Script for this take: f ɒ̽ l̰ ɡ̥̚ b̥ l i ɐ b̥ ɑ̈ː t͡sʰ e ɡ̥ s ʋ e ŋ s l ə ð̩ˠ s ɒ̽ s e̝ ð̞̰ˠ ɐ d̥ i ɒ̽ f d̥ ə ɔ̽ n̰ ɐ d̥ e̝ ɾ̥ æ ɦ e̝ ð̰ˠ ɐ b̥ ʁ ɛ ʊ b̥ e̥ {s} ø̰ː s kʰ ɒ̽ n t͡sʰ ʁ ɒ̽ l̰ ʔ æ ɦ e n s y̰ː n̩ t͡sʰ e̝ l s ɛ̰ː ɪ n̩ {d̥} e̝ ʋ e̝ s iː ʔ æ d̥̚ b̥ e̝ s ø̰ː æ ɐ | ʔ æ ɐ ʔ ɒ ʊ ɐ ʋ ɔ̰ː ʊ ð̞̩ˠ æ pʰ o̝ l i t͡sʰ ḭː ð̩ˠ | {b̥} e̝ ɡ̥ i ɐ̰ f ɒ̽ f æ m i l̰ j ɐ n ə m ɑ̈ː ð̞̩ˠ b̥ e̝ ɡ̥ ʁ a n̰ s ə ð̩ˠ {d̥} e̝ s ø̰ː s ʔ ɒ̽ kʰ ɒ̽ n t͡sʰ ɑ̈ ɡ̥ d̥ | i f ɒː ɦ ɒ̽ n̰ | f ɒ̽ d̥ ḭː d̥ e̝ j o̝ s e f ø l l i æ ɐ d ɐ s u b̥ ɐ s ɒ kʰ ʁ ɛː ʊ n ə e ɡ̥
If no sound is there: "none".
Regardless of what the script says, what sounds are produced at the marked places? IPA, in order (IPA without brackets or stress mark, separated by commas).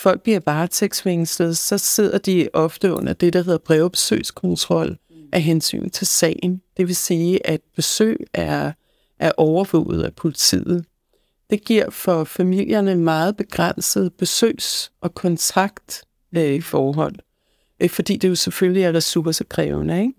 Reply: s, d̥, d̥, b̥